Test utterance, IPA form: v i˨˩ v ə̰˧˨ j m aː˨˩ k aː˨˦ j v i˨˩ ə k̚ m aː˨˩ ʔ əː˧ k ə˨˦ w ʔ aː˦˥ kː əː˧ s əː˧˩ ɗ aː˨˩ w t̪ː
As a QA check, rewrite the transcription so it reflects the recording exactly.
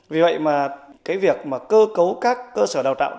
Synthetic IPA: v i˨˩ v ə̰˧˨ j m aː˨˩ k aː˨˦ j v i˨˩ ə k̚ m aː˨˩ k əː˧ k ə˨˦ w k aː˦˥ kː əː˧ s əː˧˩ ɗ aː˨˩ w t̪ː